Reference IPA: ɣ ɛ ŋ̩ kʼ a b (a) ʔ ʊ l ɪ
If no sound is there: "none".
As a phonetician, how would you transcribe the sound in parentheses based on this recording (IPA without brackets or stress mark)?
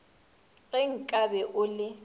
ɛ